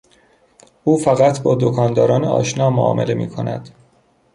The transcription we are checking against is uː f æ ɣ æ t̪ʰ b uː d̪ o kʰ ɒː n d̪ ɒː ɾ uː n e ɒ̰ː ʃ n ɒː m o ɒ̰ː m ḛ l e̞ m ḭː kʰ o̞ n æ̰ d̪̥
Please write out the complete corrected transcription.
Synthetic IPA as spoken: uː f æ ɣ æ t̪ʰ b ɒː d̪ o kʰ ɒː n d̪ ɒː ɾ ɒː n e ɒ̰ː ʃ n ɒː m o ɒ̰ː m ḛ l e̞ m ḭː kʰ o̞ n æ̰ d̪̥